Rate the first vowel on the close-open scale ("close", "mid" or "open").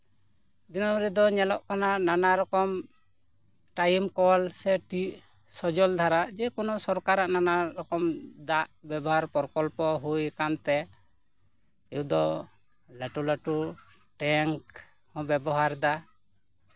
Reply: close